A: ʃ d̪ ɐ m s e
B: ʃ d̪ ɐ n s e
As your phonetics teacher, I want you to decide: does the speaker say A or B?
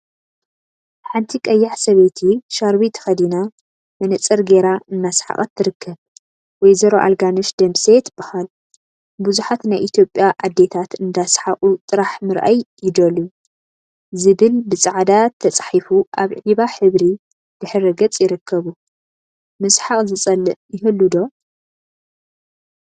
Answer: A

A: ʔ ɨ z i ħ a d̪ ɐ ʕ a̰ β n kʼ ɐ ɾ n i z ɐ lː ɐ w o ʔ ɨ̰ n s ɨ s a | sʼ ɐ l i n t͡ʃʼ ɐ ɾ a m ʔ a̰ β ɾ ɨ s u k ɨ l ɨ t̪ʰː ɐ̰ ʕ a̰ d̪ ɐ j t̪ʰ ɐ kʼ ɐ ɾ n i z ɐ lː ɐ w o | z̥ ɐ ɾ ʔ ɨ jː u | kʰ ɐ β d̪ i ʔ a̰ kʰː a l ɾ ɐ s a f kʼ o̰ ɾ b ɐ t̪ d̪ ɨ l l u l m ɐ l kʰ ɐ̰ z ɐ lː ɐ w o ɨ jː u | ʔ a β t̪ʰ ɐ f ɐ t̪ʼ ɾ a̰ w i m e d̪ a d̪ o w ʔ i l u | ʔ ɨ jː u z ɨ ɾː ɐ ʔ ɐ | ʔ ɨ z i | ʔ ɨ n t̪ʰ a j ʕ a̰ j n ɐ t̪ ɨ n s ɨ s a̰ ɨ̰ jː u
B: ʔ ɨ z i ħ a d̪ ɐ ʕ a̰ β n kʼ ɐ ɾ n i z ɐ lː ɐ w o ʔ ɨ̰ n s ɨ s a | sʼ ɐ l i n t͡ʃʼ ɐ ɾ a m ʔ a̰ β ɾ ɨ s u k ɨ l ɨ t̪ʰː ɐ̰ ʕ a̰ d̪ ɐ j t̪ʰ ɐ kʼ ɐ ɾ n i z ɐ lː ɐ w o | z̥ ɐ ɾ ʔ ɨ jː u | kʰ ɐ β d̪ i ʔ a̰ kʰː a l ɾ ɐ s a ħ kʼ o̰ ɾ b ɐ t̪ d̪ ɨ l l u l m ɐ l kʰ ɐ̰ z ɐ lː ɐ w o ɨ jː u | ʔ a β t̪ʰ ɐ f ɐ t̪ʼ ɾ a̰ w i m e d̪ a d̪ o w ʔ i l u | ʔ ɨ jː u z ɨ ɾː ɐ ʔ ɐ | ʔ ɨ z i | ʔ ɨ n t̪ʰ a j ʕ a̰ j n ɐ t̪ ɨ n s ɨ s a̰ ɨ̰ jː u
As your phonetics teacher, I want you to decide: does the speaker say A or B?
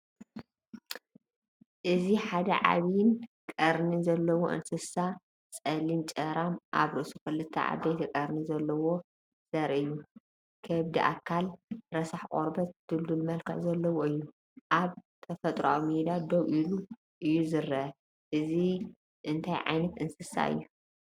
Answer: B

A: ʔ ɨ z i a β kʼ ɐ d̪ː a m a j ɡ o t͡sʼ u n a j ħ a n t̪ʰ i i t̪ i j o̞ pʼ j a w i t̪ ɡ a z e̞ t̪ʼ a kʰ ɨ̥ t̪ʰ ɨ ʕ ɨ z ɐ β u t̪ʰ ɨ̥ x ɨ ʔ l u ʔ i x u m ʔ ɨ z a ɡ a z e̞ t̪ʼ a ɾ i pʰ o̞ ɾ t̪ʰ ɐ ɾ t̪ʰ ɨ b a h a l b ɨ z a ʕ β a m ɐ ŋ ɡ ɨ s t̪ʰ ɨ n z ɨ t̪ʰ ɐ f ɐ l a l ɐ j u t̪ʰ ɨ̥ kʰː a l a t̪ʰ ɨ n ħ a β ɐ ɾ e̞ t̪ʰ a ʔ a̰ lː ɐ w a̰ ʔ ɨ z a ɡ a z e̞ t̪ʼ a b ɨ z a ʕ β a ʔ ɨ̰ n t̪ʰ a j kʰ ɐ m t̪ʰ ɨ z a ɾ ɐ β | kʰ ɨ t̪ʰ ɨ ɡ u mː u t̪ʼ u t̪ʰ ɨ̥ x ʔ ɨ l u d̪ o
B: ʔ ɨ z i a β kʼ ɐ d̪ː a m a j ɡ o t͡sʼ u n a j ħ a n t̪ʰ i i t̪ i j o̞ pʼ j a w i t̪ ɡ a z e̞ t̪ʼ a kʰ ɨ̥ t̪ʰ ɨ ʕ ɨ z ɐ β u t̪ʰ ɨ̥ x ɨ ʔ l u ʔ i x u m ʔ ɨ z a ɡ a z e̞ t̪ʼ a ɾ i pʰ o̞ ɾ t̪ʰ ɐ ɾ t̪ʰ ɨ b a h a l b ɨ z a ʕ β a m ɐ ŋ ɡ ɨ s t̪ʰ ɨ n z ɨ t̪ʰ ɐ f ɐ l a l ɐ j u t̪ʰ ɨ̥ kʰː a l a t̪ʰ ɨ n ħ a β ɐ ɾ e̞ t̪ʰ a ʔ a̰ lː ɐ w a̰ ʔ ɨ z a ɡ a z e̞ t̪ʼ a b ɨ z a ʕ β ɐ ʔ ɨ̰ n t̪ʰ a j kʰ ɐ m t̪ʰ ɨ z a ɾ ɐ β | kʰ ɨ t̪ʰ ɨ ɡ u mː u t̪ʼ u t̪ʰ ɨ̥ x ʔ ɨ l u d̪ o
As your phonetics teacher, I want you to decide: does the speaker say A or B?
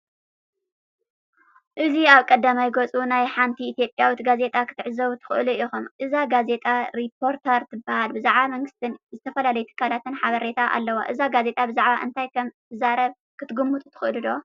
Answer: A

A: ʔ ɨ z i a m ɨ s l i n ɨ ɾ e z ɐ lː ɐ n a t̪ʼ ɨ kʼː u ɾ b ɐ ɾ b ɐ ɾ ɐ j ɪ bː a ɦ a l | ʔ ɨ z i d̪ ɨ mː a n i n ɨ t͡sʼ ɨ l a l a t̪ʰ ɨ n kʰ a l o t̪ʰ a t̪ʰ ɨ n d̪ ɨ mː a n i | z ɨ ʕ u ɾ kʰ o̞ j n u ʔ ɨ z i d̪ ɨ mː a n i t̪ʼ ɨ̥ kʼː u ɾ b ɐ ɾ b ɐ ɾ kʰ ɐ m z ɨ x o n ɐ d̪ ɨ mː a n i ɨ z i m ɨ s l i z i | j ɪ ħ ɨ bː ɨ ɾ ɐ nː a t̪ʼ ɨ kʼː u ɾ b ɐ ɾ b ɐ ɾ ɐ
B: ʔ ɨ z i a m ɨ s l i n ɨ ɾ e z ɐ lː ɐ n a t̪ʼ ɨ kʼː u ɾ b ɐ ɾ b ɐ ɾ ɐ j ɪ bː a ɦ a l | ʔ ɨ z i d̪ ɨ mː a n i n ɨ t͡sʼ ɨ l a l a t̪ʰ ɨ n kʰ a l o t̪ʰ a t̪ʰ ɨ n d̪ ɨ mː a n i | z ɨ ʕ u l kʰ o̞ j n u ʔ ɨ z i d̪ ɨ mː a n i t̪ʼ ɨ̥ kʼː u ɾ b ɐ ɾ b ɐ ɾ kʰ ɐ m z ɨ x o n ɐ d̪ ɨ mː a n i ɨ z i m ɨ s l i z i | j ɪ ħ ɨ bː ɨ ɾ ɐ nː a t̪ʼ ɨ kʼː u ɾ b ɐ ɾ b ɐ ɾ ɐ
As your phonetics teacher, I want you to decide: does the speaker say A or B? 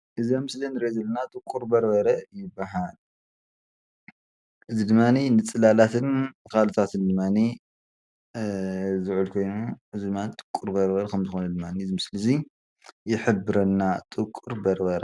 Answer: B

